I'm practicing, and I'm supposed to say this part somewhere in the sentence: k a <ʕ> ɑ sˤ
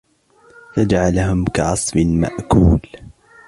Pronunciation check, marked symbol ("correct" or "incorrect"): correct